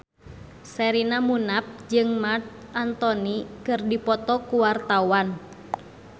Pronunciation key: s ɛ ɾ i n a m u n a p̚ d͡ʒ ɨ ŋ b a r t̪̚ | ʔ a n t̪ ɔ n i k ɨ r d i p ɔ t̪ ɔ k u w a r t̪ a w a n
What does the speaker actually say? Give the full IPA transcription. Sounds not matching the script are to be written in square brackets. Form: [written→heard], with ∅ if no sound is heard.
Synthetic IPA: s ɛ ɾ i n a m u n a p̚ d͡ʒ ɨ ŋ [b→m] a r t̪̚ | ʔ a n t̪ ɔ n i k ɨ r d i p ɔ t̪ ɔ k u w a r t̪ a w a n